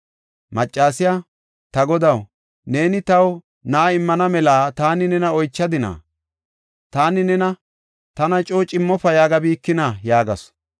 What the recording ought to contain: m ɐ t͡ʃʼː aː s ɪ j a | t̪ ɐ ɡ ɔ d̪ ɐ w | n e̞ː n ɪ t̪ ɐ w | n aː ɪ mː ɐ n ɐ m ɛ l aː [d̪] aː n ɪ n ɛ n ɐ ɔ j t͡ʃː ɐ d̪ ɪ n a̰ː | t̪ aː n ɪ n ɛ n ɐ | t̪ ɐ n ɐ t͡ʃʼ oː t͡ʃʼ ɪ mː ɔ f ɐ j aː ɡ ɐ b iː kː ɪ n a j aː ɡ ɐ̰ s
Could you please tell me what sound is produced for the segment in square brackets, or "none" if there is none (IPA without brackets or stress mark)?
t̪